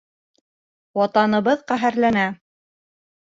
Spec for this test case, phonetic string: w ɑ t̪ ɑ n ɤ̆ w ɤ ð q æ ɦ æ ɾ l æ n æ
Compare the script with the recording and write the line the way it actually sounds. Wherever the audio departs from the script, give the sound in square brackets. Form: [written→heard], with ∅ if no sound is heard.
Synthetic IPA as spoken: w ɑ t̪ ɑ n ɤ̆ [w→β] ɤ ð q æ ɦ æ ɾ l æ n æ

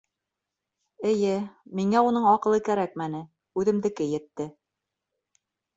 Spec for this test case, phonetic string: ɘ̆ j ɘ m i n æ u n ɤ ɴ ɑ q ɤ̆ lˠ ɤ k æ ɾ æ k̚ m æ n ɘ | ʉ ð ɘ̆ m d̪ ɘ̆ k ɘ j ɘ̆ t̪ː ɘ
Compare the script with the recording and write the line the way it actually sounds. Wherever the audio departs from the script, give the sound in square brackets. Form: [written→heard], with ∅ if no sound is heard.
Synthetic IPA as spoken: ɘ̆ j ɘ m i [n→ŋ] æ u n ɤ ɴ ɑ q ɤ̆ lˠ ɤ k æ ɾ æ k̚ m æ n ɘ | ʉ ð ɘ̆ m d̪ ɘ̆ k ɘ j ɘ̆ t̪ː ɘ

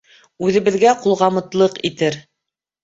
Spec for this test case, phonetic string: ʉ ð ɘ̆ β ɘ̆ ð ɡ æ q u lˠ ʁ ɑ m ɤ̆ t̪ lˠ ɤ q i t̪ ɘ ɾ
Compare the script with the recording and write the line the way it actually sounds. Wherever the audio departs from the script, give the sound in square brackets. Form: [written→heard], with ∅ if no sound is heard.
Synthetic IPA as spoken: ʉ ð ɘ̆ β ɘ̆ ð ɡ æ q u lˠ ʁ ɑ m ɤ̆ t̪ lˠ ɤ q i t̪ ɘ ɾ

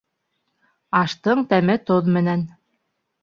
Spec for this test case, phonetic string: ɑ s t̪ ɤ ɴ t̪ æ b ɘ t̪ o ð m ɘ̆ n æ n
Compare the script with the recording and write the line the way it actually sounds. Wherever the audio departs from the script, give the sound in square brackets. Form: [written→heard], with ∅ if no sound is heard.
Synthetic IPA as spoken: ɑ [s→ʃ] t̪ ɤ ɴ t̪ æ [b→m] ɘ t̪ o ð m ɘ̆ n æ n

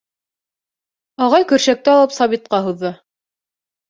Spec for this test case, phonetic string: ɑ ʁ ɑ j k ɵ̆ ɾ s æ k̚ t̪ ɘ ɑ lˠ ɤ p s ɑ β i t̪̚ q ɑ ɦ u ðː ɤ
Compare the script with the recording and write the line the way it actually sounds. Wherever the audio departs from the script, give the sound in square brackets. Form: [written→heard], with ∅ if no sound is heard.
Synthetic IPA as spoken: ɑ ʁ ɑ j k ɵ̆ ɾ [s→ʃ] æ k̚ t̪ ɘ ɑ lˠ ɤ p s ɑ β i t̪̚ q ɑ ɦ u ðː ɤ

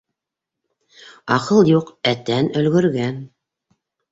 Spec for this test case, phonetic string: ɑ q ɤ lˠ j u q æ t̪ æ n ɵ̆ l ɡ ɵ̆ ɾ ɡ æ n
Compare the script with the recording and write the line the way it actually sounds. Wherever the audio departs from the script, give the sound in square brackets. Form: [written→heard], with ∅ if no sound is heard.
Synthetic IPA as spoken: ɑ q ɤ lˠ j u q æ t̪ æ n ɵ̆ l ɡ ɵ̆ ɾ ɡ æ n

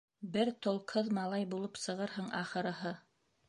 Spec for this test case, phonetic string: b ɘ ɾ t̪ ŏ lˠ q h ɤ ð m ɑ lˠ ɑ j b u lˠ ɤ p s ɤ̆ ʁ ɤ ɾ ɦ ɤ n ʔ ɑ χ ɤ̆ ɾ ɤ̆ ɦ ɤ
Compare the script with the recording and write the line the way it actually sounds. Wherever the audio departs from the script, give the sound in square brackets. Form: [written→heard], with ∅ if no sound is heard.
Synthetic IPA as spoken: b ɘ ɾ t̪ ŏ lˠ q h ɤ ð m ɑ lˠ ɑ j b u lˠ ɤ p s ɤ̆ ʁ ɤ ɾ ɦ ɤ [n→ɴ] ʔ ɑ χ ɤ̆ ɾ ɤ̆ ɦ ɤ

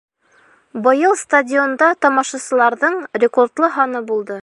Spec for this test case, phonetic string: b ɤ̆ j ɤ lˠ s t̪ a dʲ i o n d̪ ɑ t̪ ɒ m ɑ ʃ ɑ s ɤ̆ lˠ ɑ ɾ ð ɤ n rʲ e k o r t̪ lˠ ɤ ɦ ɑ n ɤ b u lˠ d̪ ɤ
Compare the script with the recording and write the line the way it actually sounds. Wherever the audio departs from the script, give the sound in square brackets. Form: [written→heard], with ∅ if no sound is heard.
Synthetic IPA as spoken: b ɤ̆ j ɤ lˠ s t̪ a dʲ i o n d̪ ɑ t̪ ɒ m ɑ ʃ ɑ s ɤ̆ lˠ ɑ ɾ ð ɤ [n→ɴ] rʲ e k o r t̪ lˠ ɤ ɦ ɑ n ɤ b u lˠ d̪ ɤ

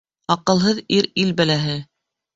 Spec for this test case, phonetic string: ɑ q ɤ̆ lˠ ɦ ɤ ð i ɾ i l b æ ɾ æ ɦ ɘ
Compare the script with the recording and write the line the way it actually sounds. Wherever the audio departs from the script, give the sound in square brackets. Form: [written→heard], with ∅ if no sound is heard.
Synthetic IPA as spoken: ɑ q ɤ̆ lˠ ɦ ɤ ð i ɾ i l b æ [ɾ→l] æ ɦ ɘ

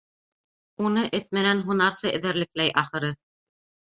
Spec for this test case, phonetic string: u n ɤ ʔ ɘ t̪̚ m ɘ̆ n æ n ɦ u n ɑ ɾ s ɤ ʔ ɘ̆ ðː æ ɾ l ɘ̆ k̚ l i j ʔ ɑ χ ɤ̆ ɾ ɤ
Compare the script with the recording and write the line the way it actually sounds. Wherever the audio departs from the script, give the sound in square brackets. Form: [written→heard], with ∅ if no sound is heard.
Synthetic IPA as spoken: u n ɤ ʔ ɘ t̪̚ m ɘ̆ n æ n ɦ u n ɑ ɾ s ɤ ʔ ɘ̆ [ðː→ð] æ ɾ l ɘ̆ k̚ l [i→æ] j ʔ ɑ χ ɤ̆ ɾ ɤ

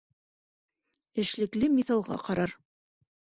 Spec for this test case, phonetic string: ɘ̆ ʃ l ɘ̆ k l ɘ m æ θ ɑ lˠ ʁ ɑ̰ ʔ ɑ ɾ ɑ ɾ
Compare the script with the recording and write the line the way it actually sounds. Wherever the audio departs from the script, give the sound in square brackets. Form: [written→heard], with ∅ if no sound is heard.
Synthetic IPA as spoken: ɘ̆ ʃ l ɘ̆ k l ɘ m [æ→i] θ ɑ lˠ ʁ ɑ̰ [ʔ→q] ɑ ɾ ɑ ɾ

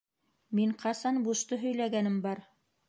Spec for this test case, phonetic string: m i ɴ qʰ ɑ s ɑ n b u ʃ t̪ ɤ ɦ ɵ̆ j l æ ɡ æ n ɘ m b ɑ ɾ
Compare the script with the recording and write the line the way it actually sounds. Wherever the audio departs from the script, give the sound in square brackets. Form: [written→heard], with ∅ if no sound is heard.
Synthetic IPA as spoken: m i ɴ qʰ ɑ s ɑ n b u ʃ t̪ ɤ ɦ ɵ̆ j l æ ɡ æ n ɘ m b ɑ ɾ

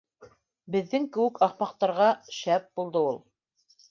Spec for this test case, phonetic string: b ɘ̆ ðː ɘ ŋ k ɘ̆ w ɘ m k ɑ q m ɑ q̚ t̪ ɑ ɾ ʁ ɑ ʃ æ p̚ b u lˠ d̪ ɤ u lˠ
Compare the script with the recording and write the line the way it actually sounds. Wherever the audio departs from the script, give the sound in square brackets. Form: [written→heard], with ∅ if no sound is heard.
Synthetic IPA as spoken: b ɘ̆ ðː ɘ ŋ k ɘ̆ w ɘ [m→∅] k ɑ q m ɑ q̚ t̪ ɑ ɾ ʁ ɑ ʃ æ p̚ b u lˠ d̪ ɤ u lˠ

